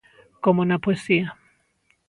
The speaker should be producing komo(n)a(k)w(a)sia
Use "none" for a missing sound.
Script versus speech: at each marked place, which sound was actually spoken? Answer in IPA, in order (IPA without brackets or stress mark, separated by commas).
n, p, e